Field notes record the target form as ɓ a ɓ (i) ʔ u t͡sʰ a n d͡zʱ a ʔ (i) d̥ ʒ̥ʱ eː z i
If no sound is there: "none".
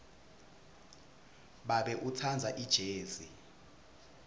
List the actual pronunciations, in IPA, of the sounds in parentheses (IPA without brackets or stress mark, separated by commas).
ɛ, i